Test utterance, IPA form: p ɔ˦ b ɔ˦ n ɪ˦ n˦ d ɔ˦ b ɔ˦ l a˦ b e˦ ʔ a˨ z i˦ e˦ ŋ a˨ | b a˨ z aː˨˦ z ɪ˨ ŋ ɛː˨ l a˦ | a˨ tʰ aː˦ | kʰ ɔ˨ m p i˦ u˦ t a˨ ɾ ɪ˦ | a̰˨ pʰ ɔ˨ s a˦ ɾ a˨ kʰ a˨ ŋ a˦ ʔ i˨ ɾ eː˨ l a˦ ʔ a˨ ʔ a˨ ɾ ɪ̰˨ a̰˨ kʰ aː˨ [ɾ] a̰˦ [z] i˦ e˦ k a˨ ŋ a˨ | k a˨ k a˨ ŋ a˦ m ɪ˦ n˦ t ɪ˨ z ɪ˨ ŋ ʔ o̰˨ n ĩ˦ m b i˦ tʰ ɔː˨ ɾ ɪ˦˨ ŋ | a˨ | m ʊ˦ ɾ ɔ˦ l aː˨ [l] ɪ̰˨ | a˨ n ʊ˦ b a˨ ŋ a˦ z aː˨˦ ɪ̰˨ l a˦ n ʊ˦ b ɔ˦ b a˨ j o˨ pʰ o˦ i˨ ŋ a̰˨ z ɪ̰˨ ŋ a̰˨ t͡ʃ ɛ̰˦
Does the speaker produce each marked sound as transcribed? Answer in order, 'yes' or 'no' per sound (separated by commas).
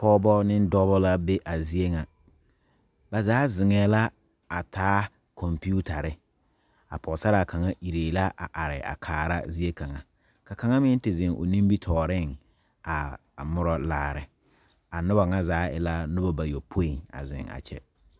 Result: yes, yes, no